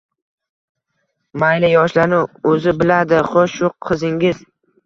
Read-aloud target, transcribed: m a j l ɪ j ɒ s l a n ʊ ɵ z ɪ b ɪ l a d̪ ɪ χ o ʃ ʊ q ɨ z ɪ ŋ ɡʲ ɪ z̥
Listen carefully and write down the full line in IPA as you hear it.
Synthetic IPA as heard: m a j l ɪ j ɒ ʃ l a n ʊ ɵ z ɪ b ɪ l a d̪ ɪ χ o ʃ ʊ qʰ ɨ z ɪ ŋ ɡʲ ɪ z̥